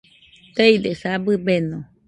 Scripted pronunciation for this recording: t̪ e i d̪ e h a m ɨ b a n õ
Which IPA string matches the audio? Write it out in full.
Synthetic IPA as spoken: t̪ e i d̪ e s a b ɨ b e n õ

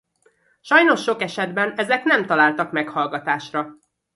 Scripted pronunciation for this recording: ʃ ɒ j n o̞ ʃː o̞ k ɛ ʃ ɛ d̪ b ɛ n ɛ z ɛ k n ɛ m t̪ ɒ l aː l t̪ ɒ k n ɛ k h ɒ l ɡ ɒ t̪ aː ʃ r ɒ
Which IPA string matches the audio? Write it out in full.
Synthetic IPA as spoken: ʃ ɒ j n o̞ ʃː o̞ k ɛ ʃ ɛ d̪ b ɛ n ɛ z ɛ k n ɛ m t̪ ɒ l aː l t̪ ɒ k m ɛ k h ɒ l ɡ ɒ t̪ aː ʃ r ɒ

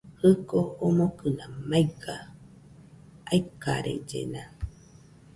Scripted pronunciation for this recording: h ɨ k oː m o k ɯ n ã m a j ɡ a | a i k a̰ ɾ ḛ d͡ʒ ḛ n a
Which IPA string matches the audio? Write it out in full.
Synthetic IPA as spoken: h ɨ k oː m o k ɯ n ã m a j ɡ a | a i k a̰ ɾ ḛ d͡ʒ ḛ n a

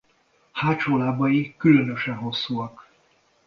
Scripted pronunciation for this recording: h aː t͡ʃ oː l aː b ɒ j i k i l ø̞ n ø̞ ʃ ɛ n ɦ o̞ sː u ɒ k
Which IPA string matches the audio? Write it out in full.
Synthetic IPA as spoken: h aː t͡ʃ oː l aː b ɒ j i k y l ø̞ n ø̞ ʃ ɛ n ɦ o̞ sː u ɒ k

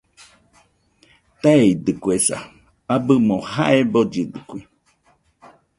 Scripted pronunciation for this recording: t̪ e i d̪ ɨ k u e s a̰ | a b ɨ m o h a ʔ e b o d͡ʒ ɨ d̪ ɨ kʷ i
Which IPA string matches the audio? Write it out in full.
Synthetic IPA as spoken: t̪ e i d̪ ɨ k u e s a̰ | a b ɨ m o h a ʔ e b o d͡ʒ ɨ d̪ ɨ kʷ i

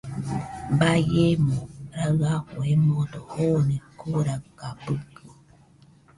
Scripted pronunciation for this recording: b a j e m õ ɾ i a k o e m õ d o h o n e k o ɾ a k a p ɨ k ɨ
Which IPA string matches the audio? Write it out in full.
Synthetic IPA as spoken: b a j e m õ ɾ a a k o e m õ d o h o n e k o ɾ a k a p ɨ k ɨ

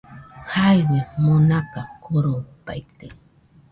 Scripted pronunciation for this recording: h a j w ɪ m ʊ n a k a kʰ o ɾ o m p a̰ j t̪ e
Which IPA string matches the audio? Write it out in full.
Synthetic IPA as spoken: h a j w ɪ m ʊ n a k a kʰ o ɾ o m p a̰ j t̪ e

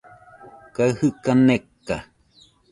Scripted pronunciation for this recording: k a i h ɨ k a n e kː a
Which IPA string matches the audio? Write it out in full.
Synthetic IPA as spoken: k a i h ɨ k a n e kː a

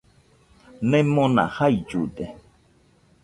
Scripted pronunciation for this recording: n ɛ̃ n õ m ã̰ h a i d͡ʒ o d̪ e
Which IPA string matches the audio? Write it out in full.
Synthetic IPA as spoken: n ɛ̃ m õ n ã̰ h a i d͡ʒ u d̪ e

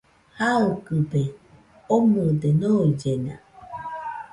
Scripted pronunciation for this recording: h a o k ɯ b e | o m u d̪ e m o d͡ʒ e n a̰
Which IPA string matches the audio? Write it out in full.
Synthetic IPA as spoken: h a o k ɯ b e | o m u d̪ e n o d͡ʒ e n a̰

